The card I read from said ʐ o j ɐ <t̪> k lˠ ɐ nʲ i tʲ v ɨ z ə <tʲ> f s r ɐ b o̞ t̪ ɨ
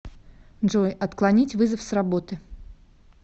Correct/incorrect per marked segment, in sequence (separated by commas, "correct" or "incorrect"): correct, incorrect